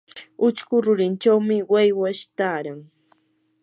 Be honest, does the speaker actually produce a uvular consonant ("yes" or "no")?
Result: no